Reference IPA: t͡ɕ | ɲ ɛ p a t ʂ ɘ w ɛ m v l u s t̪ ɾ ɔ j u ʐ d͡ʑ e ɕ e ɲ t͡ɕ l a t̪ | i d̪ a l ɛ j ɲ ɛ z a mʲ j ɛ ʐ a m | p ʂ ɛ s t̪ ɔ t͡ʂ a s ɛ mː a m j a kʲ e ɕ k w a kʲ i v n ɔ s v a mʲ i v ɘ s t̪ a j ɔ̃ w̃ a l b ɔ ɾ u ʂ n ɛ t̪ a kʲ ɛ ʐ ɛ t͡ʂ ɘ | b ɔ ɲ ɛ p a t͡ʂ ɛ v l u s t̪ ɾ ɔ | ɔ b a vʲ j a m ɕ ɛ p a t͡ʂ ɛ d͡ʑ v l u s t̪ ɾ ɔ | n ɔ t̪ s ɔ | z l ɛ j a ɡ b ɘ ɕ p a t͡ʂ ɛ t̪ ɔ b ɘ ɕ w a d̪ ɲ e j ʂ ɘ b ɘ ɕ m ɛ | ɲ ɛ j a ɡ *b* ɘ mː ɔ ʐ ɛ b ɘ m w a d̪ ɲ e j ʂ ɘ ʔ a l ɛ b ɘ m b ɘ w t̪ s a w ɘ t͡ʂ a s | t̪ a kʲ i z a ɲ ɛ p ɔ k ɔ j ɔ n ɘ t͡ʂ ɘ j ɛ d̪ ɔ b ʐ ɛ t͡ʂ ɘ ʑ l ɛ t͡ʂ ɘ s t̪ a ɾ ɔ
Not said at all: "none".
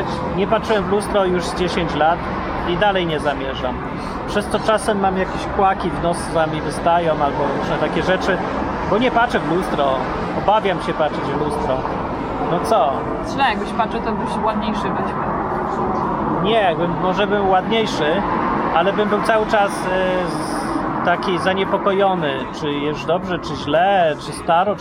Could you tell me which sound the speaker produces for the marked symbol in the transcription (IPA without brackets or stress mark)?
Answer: b